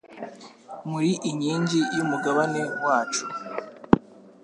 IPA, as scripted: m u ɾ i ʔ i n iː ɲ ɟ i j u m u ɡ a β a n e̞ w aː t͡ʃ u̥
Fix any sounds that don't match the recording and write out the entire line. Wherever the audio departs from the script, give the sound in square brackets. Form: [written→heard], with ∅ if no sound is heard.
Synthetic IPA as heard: m u ɾ i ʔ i [n→ɲ] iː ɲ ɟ i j u m u ɡ a β a n e̞ w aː t͡ʃ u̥